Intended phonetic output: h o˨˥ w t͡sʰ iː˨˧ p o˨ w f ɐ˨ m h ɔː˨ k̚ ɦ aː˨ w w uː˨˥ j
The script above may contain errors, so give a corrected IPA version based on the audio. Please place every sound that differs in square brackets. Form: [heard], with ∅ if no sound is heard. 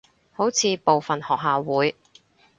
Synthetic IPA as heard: h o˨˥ w t͡sʰ iː˨˧ p o˨ w f ɐ˨ [n] h ɔː˨ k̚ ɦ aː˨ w w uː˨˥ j